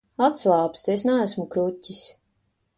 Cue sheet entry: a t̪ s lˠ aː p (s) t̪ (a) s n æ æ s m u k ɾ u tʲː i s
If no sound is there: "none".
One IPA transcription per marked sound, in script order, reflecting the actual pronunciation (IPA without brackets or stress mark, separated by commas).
s, e